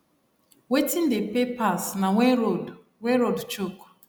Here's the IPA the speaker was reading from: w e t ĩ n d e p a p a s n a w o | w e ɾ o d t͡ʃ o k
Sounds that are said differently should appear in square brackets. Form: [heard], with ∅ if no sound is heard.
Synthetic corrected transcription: w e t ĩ n d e p [e] p a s n a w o | w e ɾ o d t͡ʃ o k